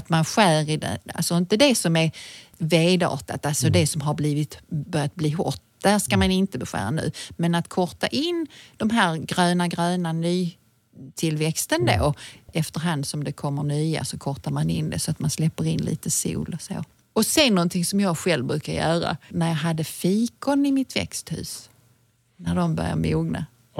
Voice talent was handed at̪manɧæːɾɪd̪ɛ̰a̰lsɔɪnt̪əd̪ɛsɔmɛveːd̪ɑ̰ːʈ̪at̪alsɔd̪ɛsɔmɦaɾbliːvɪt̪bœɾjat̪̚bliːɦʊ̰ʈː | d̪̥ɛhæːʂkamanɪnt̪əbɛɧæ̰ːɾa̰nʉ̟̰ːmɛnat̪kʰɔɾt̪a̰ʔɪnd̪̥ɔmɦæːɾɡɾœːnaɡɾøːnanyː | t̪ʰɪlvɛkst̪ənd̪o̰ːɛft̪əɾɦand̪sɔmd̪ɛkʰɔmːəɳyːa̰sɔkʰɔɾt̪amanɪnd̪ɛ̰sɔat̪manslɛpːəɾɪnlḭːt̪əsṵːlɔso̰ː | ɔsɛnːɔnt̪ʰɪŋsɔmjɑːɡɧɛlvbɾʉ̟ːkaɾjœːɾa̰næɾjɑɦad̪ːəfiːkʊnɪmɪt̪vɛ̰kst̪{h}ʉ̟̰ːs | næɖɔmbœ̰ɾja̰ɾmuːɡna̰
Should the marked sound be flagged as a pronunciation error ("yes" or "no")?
no